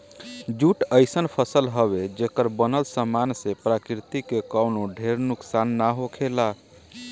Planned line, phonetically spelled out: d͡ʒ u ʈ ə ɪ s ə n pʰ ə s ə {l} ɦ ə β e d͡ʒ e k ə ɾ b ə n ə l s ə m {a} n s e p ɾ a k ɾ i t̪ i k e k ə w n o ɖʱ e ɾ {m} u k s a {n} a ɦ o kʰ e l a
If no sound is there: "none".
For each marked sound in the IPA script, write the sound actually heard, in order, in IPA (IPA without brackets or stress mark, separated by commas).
l, a, n, nː